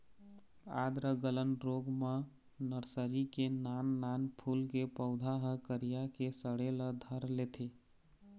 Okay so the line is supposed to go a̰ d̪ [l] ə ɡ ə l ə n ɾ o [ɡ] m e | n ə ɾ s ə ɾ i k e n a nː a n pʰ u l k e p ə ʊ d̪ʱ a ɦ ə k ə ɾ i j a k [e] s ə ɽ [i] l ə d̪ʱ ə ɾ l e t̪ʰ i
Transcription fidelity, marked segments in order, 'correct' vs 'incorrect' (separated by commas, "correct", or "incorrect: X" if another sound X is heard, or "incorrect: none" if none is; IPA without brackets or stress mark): incorrect: ɾ, correct, correct, incorrect: e